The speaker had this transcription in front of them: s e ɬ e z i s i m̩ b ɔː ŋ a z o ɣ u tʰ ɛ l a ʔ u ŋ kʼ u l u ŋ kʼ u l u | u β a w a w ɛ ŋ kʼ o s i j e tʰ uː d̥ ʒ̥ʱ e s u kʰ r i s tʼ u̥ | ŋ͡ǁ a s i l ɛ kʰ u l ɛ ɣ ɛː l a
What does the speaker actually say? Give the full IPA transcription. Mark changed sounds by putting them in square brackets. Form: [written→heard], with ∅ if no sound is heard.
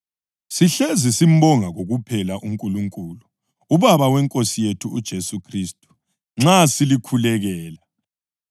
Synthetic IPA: s [e→i] ɬ e z i s i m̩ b [ɔː→ɔ] ŋ a [z→ɣ] o ɣ u [tʰ→pʰ] ɛ l a ʔ u ŋ kʼ u l u ŋ kʼ u l u | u β a [w→β] a w ɛ ŋ kʼ o s i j e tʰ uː d̥ ʒ̥ʱ e s u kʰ r i s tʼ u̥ | ŋ͡ǁ a s i l [ɛ→i] kʰ u l ɛ ɣ ɛː l a